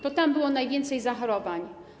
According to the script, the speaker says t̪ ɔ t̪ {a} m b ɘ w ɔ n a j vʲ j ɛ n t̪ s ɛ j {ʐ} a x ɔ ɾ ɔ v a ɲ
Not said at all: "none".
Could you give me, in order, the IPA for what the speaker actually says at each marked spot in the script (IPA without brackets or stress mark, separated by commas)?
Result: a, z